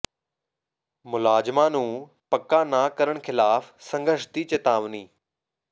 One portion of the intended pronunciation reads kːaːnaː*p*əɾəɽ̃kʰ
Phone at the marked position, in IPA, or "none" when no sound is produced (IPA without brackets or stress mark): k